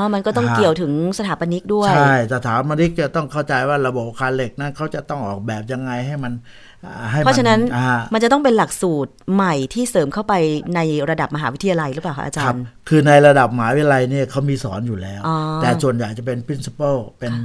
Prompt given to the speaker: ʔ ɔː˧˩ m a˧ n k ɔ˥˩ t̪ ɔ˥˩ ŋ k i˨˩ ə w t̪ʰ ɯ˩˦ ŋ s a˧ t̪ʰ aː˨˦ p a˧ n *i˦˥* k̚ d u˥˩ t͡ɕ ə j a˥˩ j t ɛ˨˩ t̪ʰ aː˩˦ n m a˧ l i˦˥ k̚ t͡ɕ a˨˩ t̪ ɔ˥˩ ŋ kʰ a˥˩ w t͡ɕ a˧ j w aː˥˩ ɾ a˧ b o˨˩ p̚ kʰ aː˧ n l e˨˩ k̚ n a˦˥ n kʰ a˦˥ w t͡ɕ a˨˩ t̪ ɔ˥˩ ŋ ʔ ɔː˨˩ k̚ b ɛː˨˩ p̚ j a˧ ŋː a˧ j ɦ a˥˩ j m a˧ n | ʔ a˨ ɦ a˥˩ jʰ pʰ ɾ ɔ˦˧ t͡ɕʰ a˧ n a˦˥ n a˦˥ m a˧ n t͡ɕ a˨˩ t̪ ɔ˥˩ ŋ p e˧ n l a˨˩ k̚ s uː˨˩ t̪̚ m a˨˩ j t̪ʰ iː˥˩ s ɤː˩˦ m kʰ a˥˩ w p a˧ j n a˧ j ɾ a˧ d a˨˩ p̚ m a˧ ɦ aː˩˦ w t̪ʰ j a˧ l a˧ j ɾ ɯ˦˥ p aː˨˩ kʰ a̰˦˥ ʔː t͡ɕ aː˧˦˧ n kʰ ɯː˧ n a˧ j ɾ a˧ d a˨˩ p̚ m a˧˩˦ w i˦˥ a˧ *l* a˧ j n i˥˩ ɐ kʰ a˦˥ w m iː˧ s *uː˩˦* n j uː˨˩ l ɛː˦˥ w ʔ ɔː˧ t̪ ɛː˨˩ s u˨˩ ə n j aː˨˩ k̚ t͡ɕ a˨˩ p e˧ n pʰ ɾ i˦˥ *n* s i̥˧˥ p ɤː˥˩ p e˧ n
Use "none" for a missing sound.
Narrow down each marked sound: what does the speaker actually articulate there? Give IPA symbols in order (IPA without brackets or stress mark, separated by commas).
i˦˥, l, ɔː˩˦, n